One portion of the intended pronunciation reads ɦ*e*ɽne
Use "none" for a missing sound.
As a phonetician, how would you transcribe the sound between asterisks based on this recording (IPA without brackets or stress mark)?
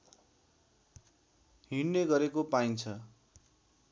i